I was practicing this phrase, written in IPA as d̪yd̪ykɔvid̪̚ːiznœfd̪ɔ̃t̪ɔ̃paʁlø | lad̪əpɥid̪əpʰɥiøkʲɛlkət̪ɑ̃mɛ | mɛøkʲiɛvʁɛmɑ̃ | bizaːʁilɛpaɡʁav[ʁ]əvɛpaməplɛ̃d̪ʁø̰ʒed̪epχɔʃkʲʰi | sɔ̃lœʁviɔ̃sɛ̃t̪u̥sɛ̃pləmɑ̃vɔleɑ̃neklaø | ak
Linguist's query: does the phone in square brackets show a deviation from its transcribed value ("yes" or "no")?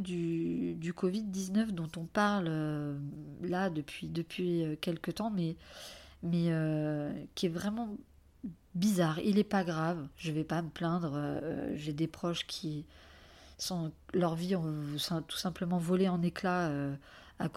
yes